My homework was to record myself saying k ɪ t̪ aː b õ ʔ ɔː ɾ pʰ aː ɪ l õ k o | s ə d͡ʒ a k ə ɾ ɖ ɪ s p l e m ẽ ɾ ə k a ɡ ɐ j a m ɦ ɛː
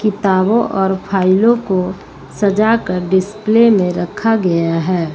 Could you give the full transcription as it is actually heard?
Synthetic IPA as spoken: k ɪ t̪ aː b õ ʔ ɔː ɾ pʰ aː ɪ l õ k o | s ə d͡ʒ a k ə ɾ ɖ ɪ s p l e m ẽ ɾ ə kʰ a ɡ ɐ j a ɦ ɛː